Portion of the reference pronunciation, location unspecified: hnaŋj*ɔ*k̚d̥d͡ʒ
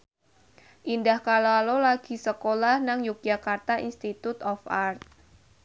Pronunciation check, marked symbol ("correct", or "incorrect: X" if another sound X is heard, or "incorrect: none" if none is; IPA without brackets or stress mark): incorrect: u